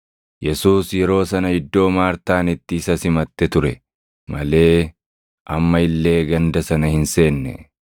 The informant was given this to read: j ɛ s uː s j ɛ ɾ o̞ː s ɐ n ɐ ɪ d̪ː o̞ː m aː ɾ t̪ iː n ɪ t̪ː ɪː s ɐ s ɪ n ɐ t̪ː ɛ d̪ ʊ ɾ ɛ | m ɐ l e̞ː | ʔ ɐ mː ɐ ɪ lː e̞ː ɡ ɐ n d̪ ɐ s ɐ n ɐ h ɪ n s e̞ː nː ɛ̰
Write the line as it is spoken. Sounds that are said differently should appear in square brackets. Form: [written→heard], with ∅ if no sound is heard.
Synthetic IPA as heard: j ɛ s uː s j ɛ ɾ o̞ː s ɐ n ɐ ɪ d̪ː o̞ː m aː ɾ t̪ [iː→aː] n ɪ t̪ː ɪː s ɐ s ɪ [n→m] ɐ t̪ː ɛ [d̪→t̪] ʊ ɾ ɛ | m ɐ l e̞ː | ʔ ɐ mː ɐ ɪ lː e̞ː ɡ ɐ n d̪ ɐ s ɐ n ɐ h ɪ n s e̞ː nː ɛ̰